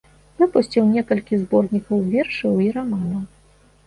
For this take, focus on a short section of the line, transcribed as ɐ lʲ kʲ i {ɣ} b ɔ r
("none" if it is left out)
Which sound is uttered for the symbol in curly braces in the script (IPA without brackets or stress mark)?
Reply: z